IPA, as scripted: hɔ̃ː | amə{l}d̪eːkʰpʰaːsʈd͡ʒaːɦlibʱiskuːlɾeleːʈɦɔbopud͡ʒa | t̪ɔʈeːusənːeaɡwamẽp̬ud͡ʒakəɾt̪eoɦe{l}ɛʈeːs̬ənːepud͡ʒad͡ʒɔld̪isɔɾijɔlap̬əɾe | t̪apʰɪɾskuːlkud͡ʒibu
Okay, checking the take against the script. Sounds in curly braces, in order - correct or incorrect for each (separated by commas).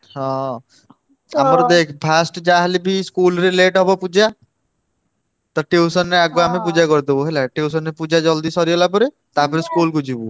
incorrect, correct